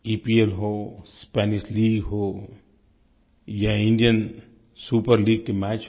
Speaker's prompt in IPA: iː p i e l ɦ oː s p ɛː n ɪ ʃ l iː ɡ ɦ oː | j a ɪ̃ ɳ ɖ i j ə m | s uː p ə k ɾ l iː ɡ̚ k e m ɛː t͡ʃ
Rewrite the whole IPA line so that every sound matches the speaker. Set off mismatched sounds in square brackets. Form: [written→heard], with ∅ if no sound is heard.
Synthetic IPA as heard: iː p i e l ɦ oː s p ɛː n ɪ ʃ l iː ɡ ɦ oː | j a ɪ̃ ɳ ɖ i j ə [m→n] | s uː p ə [k→∅] ɾ l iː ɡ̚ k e m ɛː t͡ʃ